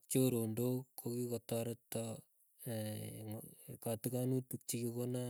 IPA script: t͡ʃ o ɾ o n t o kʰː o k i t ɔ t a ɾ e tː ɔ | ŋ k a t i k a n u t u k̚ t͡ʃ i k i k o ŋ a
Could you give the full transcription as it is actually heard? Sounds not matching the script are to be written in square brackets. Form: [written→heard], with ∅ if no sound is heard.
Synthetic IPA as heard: t͡ʃ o ɾ o n [t→d] o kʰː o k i [t→k] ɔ t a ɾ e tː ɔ | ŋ k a t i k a n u t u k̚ t͡ʃ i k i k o [ŋ→n] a